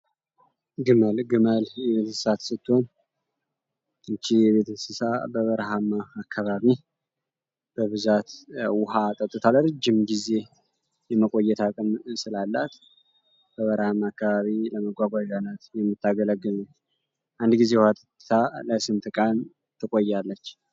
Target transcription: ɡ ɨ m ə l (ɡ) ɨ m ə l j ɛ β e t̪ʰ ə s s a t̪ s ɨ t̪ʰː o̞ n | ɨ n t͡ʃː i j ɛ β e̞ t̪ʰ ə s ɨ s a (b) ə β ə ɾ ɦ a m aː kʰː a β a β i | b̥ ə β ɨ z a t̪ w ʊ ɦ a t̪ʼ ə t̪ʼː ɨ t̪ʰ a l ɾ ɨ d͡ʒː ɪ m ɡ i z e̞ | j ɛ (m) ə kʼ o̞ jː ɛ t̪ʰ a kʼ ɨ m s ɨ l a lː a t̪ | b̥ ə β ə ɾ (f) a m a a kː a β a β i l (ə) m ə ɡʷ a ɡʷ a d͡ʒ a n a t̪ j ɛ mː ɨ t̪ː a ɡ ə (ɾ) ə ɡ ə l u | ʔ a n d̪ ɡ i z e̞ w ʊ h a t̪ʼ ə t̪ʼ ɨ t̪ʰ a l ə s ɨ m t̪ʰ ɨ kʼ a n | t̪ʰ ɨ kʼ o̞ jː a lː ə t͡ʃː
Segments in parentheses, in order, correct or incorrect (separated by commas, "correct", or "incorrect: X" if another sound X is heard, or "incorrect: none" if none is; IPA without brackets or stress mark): correct, correct, correct, incorrect: h, correct, incorrect: l